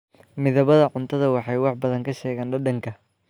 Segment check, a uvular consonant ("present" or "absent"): absent